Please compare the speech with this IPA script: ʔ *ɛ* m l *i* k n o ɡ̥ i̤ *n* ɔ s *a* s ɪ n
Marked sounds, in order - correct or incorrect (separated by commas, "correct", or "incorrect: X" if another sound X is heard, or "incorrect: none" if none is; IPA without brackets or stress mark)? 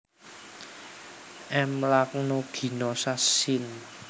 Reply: correct, incorrect: a, correct, correct